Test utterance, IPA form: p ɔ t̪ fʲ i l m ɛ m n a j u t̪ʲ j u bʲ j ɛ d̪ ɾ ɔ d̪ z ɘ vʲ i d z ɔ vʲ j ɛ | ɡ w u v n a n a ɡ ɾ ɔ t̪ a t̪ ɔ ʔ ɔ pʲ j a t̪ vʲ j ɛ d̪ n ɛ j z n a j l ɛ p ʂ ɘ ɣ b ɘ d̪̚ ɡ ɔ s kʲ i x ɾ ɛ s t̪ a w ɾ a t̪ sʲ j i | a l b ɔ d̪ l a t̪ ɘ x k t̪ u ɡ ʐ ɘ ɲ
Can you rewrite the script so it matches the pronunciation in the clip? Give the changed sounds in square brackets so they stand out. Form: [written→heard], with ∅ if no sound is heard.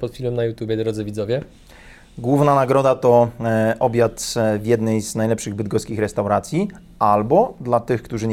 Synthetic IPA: p ɔ t̪ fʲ i l m ɛ m n a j u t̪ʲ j u bʲ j ɛ d̪ ɾ ɔ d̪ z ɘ vʲ i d z ɔ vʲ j ɛ | ɡ w u v n a n a ɡ ɾ ɔ [t̪→d̪] a t̪ ɔ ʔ ɔ [pʲ→bʲ] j a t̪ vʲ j ɛ d̪ n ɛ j z n a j l ɛ p ʂ ɘ ɣ b ɘ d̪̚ ɡ ɔ s kʲ i x ɾ ɛ s t̪ a w ɾ a t̪ sʲ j i | a l b ɔ d̪ l a t̪ ɘ x k t̪ u [ɡ→∅] ʐ ɘ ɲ